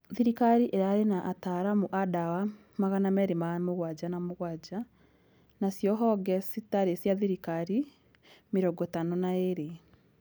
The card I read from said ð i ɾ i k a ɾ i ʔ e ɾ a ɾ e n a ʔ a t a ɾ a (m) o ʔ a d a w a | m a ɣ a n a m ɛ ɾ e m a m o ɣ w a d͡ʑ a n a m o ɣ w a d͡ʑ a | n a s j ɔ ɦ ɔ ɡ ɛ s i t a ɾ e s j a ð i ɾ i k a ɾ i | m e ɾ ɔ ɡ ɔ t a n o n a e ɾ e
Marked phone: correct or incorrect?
correct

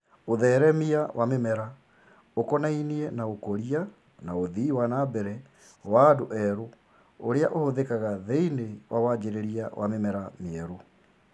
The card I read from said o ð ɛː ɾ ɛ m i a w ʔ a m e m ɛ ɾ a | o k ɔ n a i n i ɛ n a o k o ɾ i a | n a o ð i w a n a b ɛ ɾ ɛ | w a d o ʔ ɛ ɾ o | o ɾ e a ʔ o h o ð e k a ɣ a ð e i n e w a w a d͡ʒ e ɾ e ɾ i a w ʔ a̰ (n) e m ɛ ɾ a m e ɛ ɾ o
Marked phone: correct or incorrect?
incorrect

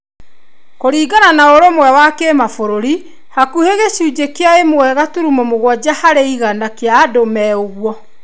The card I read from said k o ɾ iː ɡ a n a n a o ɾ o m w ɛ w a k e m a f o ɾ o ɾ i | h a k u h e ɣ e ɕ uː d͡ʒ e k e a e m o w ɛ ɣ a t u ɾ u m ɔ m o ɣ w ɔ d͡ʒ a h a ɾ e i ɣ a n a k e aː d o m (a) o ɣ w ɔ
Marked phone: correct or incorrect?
incorrect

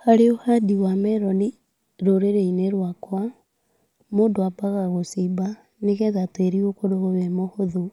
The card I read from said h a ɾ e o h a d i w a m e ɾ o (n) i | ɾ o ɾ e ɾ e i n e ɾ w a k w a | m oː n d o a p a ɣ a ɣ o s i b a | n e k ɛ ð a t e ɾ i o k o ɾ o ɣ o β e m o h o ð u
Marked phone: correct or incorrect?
correct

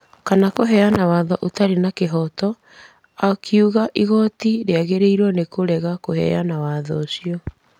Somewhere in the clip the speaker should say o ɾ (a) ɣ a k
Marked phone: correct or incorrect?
incorrect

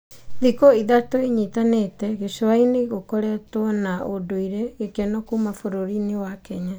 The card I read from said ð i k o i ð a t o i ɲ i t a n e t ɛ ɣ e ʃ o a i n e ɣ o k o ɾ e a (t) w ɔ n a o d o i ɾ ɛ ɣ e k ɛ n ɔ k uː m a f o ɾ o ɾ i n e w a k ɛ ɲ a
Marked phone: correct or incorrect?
correct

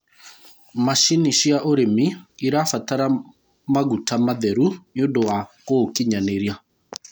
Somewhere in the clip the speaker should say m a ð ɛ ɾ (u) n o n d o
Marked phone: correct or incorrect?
correct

